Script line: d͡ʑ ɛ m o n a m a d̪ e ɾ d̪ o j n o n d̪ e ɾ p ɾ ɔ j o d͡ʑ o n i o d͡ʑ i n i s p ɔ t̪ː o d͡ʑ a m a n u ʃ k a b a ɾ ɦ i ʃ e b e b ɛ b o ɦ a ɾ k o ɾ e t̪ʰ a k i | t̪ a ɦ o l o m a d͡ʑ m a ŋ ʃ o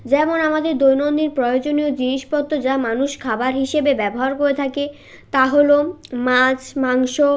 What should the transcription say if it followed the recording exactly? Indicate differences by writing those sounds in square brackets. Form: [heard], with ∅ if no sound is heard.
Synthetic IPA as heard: d͡ʑ ɛ m o n a m a d̪ e ɾ d̪ o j n o n d̪ [i] ɾ p ɾ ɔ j o d͡ʑ o n i o d͡ʑ i n i [ʃ] p ɔ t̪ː o d͡ʑ a m a n u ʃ [kʰ] a b a ɾ ɦ i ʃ e b e b ɛ b o ɦ a ɾ k o ɾ e t̪ʰ a k [e] | t̪ a ɦ o l o m a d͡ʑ m a ŋ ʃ o